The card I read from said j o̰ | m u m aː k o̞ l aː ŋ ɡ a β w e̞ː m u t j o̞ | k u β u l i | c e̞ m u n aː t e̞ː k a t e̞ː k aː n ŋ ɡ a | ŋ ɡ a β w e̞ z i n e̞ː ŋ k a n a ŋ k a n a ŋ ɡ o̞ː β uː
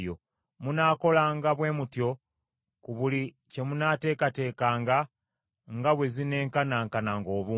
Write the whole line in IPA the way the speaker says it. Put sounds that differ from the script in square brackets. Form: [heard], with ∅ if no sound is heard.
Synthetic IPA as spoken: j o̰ | m u [n] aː k o̞ l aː ŋ ɡ a β w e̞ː m u t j o̞ | k u β u l i | c e̞ m u n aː t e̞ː k a t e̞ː k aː [∅] ŋ ɡ a | ŋ ɡ a β w e̞ z i n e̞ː ŋ k a n a ŋ k a n a ŋ ɡ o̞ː β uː

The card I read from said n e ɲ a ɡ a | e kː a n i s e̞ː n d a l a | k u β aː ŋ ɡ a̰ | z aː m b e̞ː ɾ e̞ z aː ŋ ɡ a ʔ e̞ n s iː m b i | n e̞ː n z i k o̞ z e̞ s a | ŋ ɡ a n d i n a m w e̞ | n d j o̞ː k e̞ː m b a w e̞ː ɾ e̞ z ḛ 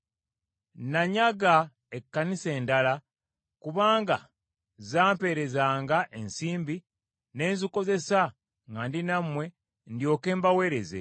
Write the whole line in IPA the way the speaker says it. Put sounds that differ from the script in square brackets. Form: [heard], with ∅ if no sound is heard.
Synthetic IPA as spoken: n [a] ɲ a ɡ a | e kː a n i s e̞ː n d a l a | k u β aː ŋ ɡ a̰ | z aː m [p] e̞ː ɾ e̞ z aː ŋ ɡ a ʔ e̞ n s iː m b i | n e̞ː n z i k o̞ z e̞ s a | ŋ ɡ a n d i n a m w e̞ | n d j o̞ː k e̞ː m b a w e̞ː ɾ e̞ z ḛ

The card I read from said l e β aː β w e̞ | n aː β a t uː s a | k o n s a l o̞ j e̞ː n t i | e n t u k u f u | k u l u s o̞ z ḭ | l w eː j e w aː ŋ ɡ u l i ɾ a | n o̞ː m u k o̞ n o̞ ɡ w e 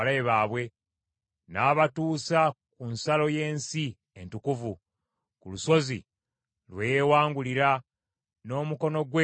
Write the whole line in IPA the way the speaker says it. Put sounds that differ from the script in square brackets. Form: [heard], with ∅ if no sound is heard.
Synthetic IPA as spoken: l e β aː β w e̞ | n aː β a t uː s a | k [u] n s a l o̞ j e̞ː n [s] i | e n t u k u [v] u | k u l u s o̞ z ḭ | l w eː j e w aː ŋ ɡ u l i ɾ a | n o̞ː m u k o̞ n o̞ ɡ w e

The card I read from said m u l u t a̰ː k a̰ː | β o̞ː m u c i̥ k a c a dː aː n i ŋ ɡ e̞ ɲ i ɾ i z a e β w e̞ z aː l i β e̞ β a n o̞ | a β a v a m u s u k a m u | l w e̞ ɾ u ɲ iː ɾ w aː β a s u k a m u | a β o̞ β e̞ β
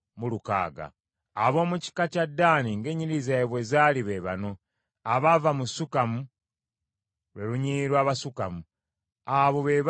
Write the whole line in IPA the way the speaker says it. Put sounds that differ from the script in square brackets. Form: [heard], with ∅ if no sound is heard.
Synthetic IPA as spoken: m u l u [k] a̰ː [ɡ] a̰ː | β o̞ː m u c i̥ k a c a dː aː n i ŋ ɡ e̞ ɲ i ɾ i z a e β w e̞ z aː l i β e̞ β a n o̞ | a β a v a m u s u k a m u | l w e̞ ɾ u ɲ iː ɾ w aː β a s u k a m u | a β o̞ β e̞ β

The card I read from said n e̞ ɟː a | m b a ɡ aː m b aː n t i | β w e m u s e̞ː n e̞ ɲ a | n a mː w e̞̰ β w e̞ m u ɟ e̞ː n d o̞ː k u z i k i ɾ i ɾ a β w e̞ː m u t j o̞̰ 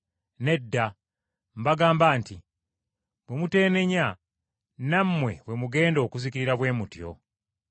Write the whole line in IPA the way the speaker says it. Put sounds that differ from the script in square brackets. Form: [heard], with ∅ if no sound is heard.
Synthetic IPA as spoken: n e̞ [dː] a | m b a ɡ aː m b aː n t i | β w e m u [t] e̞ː n e̞ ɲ a | n a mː w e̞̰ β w e̞ m u [ɡ] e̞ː n d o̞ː k u z i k i ɾ i ɾ a β w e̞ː m u t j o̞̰

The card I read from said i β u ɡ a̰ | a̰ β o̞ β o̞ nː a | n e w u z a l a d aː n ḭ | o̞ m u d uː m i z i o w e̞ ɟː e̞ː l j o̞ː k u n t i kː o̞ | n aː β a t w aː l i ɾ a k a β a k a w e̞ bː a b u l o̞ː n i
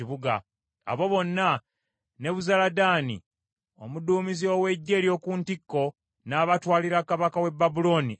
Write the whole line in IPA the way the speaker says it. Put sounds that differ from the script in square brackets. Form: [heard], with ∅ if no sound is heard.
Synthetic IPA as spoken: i β u ɡ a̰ | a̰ β o̞ β o̞ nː a | n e [β] u z a l a d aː n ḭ | o̞ m u d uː m i z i o w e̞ ɟː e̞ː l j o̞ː k u n t i kː o̞ | n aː β a t w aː l i ɾ a k a β a k a w e̞ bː a b u l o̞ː n i

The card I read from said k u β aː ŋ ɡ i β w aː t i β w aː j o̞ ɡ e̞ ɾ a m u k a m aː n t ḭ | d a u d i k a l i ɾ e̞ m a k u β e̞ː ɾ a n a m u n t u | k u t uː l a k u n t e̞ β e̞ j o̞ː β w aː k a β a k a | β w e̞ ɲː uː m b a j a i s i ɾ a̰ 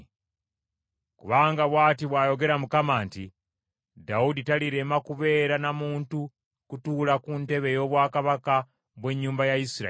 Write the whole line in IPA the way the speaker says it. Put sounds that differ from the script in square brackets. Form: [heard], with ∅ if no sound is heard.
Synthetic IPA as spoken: k u β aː ŋ ɡ [a] β w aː t i β w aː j o̞ ɡ e̞ ɾ a m u k a m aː n t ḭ | d a u d i [t] a l i ɾ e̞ m a k u β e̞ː ɾ a n a m [uː] n t u | k u t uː l a k u n t e̞ β e̞ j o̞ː β w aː k a β a k a | β w e̞ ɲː uː m b a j a i s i ɾ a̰

